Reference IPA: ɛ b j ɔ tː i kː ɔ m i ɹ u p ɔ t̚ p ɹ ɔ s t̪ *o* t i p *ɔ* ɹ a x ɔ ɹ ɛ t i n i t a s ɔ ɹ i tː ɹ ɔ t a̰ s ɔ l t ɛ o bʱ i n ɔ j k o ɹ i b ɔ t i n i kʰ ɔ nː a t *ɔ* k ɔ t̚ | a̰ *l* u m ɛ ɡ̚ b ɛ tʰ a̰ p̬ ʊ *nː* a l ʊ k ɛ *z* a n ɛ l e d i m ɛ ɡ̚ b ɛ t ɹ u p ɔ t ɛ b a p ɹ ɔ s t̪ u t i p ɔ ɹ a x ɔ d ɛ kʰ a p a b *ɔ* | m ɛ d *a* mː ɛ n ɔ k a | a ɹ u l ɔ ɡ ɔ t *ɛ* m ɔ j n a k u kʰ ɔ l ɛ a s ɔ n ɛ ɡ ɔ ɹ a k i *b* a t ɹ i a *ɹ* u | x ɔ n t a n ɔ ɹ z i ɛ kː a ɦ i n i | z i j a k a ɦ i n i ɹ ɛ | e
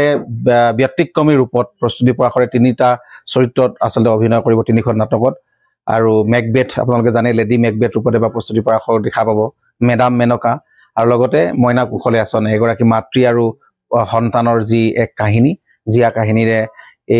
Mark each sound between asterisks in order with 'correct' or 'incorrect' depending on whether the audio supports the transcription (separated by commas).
incorrect, correct, correct, incorrect, incorrect, correct, correct, correct, correct, incorrect, correct